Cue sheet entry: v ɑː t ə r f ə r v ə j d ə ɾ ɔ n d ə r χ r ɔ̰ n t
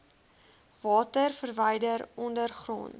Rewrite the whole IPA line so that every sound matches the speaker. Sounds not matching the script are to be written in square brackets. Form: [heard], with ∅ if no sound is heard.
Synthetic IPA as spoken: v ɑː t ə r f ə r v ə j d ə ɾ ɔ n d ə r χ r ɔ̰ n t